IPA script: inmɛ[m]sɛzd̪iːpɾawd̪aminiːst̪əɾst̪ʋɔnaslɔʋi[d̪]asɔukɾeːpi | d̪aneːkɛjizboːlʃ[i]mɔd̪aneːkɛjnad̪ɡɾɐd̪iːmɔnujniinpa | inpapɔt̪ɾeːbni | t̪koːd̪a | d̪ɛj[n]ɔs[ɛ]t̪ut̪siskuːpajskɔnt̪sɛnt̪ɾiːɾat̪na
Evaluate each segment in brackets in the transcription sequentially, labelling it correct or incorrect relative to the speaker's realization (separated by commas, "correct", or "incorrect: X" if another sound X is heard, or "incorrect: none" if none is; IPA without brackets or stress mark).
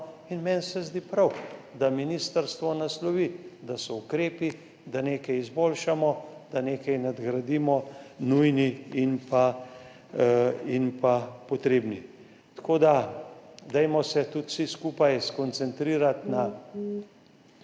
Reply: incorrect: n, correct, incorrect: a, incorrect: m, correct